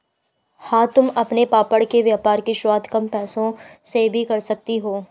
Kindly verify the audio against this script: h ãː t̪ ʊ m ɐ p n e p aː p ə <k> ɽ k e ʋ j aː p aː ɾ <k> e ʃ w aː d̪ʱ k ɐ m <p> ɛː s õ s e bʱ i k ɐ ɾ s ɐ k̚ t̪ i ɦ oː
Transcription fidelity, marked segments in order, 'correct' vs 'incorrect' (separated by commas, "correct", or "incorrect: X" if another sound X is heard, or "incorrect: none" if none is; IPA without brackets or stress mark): incorrect: none, correct, correct